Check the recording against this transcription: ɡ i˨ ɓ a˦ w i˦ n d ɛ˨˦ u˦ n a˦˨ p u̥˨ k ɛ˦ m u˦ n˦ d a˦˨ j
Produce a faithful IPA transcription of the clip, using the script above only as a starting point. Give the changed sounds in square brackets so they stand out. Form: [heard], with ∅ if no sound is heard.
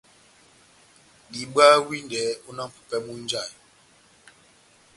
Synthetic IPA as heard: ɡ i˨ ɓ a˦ w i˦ n d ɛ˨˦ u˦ n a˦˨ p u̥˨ [p] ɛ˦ m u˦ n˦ [d͡ʒ] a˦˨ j